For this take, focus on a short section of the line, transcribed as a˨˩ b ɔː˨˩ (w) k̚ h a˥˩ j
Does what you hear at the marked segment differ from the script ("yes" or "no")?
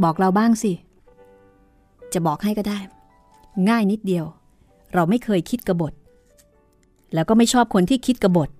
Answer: yes